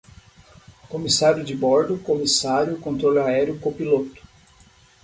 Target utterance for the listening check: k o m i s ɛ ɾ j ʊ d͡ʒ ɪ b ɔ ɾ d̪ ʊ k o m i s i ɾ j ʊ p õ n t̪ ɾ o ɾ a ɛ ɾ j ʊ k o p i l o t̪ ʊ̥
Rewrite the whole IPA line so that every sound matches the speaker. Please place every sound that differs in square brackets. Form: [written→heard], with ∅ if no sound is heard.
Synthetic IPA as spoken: k o m i s [ɛ→a] ɾ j ʊ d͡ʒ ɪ b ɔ ɾ d̪ ʊ k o m i s [i→a] ɾ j ʊ [p→k] õ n t̪ ɾ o [ɾ→l] a ɛ ɾ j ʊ k o p i l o t̪ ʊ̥